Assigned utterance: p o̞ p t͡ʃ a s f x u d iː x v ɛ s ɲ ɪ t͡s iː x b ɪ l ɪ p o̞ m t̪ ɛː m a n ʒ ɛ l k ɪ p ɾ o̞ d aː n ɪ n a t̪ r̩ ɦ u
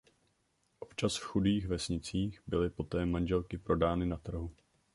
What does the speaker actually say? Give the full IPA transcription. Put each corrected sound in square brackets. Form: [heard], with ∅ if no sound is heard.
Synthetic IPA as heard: [ʔ] o̞ p t͡ʃ a s f x u d iː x v ɛ s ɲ ɪ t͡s iː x b ɪ l ɪ p o̞ [∅] t̪ ɛː m a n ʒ ɛ l k ɪ p ɾ o̞ d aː n ɪ n a t̪ r̩ ɦ u